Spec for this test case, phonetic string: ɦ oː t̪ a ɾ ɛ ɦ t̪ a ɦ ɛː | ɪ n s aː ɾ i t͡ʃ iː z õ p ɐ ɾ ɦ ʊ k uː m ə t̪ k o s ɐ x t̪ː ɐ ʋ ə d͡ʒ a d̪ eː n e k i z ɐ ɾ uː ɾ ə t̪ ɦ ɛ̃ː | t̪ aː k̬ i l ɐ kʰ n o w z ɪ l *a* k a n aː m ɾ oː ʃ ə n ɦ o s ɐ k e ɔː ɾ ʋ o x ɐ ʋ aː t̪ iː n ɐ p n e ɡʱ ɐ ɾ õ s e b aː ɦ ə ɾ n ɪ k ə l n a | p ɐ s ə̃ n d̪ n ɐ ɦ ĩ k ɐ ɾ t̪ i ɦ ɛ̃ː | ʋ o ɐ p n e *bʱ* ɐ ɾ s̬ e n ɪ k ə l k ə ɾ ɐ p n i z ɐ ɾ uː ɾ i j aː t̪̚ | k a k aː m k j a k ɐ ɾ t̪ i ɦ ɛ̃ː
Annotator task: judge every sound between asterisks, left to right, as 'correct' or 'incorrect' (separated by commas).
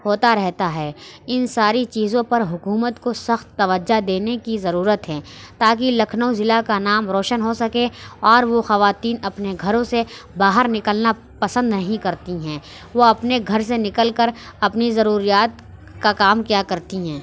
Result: correct, incorrect